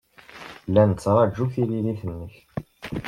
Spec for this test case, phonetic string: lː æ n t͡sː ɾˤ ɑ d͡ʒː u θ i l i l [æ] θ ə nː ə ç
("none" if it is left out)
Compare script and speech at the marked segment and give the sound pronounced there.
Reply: i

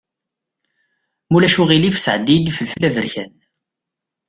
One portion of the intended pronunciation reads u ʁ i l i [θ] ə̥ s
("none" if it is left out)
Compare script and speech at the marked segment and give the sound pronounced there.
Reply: f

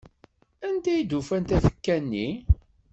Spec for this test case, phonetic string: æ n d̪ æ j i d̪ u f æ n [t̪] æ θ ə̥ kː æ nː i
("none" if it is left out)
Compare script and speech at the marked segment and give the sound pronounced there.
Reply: t̪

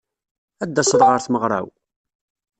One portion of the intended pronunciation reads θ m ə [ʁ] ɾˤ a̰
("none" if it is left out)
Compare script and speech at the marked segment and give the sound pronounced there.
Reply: ʁ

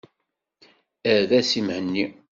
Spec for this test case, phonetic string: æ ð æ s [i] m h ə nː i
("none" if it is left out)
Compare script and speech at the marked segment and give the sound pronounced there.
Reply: i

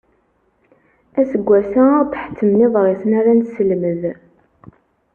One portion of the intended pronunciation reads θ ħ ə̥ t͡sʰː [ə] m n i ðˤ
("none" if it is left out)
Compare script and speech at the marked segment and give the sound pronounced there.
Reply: ə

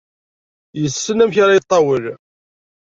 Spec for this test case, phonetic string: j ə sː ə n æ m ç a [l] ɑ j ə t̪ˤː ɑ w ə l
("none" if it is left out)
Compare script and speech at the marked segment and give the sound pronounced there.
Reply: ɾ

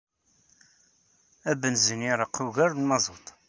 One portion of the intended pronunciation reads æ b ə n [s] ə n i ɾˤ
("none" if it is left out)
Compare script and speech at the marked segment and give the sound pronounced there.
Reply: z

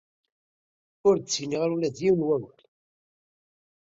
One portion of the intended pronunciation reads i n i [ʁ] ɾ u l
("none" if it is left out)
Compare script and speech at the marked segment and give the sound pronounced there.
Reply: ʁ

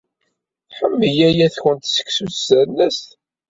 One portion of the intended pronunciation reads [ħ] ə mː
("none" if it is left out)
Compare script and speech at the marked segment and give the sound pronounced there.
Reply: ħ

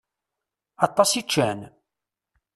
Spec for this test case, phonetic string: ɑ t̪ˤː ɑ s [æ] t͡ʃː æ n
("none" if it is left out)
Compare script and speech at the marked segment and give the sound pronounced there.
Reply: i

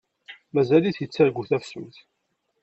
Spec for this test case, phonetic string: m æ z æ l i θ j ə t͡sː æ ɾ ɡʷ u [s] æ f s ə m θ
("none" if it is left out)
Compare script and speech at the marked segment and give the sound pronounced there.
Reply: θ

